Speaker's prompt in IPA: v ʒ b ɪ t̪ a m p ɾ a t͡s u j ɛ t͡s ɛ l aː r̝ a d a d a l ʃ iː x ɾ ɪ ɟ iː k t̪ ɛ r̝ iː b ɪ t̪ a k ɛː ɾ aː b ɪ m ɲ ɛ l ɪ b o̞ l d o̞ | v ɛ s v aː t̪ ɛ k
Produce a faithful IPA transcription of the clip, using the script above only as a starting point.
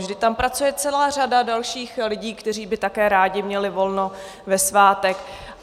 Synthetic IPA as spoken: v ʒ d ɪ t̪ a m p ɾ a t͡s u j ɛ t͡s ɛ l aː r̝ a d a d a l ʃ iː x l ɪ ɟ iː k t̪ ɛ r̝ iː b ɪ t̪ a k ɛː ɾ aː ɟ ɪ m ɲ ɛ l ɪ v o̞ l n o̞ | v ɛ s v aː t̪ ɛ k